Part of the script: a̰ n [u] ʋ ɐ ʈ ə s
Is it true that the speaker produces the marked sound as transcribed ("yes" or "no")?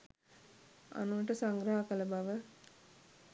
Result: yes